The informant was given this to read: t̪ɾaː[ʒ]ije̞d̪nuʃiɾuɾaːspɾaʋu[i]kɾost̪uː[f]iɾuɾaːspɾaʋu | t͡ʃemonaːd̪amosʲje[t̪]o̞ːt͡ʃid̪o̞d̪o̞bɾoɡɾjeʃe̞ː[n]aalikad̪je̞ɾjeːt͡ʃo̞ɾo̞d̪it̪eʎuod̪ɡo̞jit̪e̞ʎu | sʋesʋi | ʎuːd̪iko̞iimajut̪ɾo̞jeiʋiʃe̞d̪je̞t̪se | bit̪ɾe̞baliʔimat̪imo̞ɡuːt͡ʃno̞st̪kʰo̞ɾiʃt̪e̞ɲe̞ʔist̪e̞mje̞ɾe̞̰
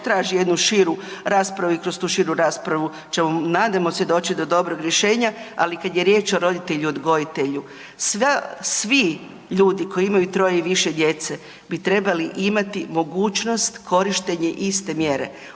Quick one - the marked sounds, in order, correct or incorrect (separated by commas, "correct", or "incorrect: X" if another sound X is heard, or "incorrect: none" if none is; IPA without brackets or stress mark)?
correct, correct, incorrect: ʃ, incorrect: d̪, incorrect: ɲ